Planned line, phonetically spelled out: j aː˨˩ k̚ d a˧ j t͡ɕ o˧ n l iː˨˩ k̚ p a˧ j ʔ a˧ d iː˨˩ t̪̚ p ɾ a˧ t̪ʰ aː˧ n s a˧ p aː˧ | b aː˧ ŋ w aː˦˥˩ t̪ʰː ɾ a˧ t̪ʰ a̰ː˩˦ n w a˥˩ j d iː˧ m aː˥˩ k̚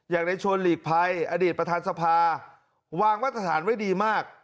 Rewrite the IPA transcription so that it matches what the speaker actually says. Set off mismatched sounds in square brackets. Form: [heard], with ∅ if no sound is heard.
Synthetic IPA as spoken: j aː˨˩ k̚ d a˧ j [t͡ɕʰ] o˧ n l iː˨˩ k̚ [pʰ] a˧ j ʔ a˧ d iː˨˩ t̪̚ p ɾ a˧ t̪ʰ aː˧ n s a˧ [pʰ] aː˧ | [w] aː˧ ŋ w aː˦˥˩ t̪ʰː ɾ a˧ t̪ʰ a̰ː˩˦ n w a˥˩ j d iː˧ m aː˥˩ k̚